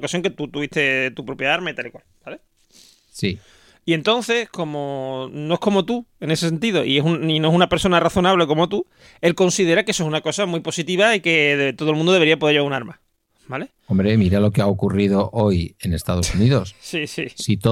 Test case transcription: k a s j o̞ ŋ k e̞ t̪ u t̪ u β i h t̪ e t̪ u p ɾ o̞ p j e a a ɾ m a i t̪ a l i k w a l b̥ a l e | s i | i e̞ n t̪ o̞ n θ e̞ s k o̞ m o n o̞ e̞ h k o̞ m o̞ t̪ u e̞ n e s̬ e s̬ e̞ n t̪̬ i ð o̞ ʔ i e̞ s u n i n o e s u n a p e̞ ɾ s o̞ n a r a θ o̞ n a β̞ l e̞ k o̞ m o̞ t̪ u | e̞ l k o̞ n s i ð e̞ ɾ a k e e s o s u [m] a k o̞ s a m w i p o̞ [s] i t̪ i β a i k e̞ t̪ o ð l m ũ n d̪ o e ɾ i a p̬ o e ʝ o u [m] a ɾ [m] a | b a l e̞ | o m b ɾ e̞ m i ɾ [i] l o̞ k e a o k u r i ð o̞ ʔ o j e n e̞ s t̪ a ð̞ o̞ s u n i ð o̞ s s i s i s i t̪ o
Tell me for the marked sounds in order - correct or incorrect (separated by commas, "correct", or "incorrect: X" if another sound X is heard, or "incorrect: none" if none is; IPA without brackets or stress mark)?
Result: incorrect: n, correct, incorrect: n, correct, incorrect: a